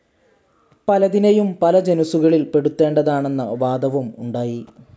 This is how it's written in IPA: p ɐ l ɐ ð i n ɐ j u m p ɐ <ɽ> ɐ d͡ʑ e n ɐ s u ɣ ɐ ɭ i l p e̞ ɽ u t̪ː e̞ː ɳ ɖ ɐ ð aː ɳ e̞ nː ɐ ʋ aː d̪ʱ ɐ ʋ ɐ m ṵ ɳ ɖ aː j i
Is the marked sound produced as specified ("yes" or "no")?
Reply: no